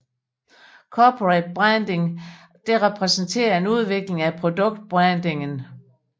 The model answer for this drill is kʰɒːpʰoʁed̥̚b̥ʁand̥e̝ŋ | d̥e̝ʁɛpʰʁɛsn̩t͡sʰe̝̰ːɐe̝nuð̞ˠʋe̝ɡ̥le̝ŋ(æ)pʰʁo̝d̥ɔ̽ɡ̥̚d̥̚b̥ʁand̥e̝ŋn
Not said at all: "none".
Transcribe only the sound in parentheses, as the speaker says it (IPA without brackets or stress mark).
æ